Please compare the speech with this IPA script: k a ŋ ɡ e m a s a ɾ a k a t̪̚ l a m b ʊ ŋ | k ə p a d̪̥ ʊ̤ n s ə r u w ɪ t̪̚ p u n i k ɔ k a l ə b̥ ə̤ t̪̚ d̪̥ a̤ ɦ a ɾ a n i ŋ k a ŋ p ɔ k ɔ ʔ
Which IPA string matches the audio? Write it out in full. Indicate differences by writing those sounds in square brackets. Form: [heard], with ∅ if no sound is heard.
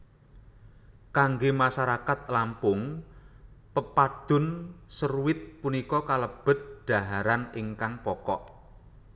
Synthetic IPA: k a ŋ ɡ e m a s a ɾ a k a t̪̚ l a m [p] ʊ ŋ | [p] ə p a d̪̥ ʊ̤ n s ə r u w ɪ t̪̚ p u n i k ɔ k a l ə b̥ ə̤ t̪̚ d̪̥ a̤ ɦ a ɾ a n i ŋ k a ŋ p ɔ k ɔ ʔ